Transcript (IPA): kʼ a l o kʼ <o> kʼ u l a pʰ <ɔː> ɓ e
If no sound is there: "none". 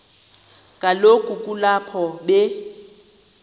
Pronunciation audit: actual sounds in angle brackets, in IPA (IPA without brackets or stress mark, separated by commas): u, ɔ